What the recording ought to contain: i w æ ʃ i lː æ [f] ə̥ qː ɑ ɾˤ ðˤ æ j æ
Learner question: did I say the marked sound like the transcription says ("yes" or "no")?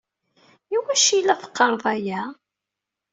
yes